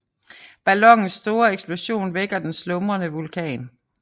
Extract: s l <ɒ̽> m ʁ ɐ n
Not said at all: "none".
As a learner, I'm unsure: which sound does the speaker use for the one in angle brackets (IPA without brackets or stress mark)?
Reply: ɔ̽